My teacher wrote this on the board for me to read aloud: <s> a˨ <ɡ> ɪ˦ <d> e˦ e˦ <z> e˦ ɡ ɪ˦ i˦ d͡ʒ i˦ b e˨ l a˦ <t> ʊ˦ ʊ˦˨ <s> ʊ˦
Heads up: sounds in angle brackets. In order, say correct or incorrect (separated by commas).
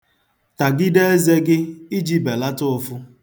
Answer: incorrect, correct, correct, correct, correct, incorrect